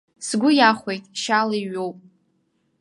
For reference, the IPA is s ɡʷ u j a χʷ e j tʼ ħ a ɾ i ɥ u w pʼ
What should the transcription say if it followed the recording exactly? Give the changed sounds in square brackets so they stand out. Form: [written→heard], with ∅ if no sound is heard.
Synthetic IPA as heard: s ɡʷ [u→ʊ] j a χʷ e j tʼ [ħ→ʃ] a [ɾ→l] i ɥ [u→o] w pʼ